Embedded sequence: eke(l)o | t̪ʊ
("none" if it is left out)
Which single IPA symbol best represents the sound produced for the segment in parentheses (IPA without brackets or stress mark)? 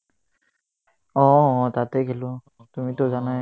l